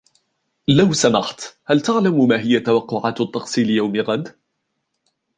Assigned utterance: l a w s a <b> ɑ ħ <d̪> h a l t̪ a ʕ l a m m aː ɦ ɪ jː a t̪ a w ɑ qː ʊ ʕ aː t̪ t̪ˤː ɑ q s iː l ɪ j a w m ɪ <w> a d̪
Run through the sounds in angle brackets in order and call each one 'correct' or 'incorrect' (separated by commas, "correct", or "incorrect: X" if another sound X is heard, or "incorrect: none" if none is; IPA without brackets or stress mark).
incorrect: m, incorrect: t̪, incorrect: ɣ